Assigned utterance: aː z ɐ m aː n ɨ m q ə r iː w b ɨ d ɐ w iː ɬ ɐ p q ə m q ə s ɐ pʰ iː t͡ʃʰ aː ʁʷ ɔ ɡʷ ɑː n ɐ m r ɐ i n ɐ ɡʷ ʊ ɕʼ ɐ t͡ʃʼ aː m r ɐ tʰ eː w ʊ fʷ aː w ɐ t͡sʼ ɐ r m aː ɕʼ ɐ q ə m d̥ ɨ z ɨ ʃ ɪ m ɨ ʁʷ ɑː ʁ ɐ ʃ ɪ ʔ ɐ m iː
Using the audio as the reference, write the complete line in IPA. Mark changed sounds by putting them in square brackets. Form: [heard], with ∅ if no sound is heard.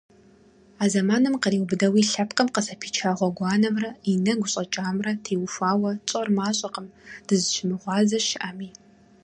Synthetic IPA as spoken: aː z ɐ m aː n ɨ m q ə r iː w b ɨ d ɐ w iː ɬ ɐ p q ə m q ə s ɐ pʰ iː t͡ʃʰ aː ʁʷ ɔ ɡʷ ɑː n ɐ m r ɐ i n ɐ ɡʷ ʊ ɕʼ ɐ t͡ʃʼ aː m r ɐ tʰ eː w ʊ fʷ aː w ɐ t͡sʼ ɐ r m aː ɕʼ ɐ q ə m d̥ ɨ z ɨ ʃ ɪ m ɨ ʁʷ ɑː [z] ɐ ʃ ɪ ʔ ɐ m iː